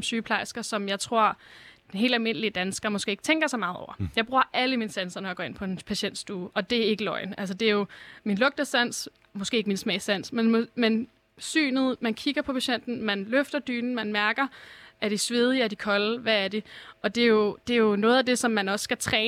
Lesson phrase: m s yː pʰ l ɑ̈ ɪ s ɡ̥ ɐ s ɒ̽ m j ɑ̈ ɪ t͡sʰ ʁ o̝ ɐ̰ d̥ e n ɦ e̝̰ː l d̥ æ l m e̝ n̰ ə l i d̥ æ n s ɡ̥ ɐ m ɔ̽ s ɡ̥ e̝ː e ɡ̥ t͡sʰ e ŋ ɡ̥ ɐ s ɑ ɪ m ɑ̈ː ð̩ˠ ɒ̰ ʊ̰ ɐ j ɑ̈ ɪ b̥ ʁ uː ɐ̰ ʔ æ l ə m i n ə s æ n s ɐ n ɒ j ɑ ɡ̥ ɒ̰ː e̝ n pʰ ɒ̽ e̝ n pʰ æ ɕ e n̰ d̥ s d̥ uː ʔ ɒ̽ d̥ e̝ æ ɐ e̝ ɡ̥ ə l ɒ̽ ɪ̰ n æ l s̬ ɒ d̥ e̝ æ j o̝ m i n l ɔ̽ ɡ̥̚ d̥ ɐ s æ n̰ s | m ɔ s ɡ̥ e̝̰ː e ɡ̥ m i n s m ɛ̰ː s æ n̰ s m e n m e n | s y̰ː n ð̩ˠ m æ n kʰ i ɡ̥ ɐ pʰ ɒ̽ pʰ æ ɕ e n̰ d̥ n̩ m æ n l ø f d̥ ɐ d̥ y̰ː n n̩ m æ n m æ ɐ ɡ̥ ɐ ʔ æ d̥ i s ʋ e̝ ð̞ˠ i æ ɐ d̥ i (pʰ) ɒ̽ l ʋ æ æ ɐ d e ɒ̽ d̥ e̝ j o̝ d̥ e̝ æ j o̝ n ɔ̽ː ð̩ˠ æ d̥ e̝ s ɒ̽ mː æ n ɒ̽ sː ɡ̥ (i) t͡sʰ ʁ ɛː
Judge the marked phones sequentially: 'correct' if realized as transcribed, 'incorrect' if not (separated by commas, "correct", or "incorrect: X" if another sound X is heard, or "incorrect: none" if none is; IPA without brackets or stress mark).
incorrect: kʰ, incorrect: æ